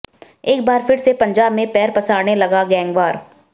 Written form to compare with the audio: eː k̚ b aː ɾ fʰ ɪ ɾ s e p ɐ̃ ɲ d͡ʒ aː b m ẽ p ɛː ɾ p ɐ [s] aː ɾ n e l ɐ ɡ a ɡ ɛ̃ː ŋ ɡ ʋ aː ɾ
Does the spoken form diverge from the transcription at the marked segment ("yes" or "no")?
no